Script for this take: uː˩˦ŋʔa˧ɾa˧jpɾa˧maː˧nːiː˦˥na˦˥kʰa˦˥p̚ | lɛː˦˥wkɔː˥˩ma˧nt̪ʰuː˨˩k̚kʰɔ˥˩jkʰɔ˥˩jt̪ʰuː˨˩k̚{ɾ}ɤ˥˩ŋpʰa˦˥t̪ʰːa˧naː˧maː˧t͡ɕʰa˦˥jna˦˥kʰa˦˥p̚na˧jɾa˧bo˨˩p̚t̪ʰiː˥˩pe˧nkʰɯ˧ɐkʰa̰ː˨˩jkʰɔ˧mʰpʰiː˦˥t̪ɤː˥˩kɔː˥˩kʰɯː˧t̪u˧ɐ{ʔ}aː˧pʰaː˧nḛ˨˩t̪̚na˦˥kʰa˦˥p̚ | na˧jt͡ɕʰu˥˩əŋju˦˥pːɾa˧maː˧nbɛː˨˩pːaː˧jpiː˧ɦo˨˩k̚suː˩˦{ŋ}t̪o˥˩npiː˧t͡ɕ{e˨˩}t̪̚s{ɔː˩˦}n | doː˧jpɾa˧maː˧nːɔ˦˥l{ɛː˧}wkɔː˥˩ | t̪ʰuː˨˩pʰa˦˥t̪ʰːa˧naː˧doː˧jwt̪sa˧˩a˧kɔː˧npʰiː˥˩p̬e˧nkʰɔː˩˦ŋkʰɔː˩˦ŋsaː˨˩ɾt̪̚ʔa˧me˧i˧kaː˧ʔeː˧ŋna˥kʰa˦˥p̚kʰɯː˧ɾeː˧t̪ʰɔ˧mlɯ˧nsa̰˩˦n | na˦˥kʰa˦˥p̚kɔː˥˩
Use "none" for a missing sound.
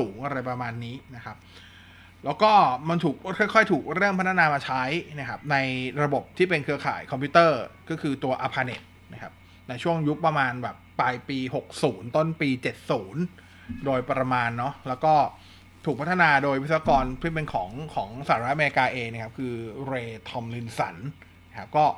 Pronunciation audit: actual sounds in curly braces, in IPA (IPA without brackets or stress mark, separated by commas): ɾ, ʔ, n, e˨˩, uː˩˦, ɛː˦˥